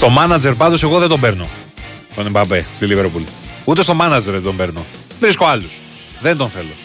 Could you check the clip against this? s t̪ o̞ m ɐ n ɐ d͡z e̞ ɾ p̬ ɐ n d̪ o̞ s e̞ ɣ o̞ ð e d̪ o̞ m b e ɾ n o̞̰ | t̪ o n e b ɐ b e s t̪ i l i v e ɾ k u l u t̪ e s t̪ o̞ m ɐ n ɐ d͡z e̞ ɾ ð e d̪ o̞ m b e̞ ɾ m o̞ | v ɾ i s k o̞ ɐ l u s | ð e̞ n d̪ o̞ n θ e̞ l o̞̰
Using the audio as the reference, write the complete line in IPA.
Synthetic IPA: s t̪ o̞ m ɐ n ɐ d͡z e̞ ɾ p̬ ɐ n d̪ o̞ s e̞ ɣ o̞ ð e d̪ o̞ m b e ɾ n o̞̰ | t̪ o n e b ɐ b e s t̪ i l i v e ɾ p u l u t̪ e s t̪ o̞ m ɐ n ɐ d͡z e̞ ɾ ð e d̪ o̞ m b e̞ ɾ n o̞ | v ɾ i s k o̞ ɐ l u s | ð e̞ n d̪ o̞ n θ e̞ l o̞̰